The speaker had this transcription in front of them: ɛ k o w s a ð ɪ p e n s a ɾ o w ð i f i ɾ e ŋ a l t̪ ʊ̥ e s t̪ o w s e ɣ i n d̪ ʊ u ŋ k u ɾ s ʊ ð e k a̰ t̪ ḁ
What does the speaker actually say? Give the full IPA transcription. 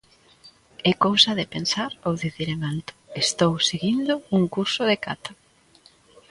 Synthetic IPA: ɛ k o w s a ð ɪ p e n s a ɾ o w ð i θ i ɾ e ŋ a l t̪ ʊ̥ e s t̪ o w s e ɣ i n d̪ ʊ u ŋ k u ɾ s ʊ ð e k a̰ t̪ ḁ